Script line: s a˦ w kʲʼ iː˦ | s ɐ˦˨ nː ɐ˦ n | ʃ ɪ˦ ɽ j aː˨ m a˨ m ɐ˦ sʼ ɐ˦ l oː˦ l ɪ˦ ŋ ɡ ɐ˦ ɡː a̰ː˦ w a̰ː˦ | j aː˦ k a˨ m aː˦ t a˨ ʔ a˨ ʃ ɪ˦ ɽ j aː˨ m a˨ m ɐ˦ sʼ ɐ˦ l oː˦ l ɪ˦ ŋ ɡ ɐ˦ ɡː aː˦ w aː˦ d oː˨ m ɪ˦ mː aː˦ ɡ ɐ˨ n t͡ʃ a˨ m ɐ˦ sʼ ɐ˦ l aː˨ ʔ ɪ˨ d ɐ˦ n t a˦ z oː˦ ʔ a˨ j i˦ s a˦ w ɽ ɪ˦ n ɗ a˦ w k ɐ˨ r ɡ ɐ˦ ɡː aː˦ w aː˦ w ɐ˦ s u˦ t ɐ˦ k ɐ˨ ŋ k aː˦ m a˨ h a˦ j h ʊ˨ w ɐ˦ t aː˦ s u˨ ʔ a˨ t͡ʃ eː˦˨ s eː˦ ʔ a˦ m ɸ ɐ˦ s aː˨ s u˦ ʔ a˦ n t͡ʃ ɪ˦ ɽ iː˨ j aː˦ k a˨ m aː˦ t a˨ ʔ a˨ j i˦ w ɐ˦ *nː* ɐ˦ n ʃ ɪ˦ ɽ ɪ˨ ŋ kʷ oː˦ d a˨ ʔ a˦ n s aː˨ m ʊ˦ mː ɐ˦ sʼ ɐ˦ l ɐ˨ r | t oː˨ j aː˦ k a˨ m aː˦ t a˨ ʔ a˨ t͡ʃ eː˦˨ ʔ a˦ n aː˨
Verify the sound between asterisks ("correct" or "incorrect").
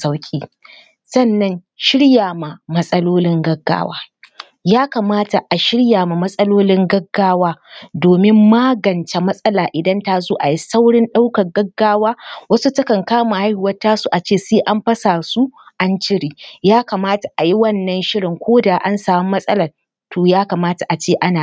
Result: correct